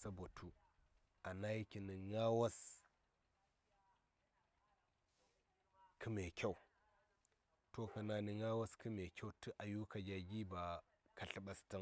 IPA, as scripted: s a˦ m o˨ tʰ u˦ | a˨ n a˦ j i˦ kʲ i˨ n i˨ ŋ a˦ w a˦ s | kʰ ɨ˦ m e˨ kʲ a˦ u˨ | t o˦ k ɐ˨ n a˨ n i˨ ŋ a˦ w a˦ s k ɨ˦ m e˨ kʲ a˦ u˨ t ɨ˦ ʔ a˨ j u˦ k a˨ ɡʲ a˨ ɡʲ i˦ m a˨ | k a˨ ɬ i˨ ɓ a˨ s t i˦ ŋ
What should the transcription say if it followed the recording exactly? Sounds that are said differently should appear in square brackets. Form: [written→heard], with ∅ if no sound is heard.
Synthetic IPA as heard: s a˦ [m→b] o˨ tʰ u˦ | a˨ n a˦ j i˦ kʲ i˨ n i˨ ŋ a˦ w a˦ s | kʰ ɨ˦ m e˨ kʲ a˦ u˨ | t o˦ k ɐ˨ n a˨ n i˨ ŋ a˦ w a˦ s k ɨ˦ m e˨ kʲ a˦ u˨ t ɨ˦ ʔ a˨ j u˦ k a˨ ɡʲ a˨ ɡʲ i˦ [m→b] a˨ | k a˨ ɬ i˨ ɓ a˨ s t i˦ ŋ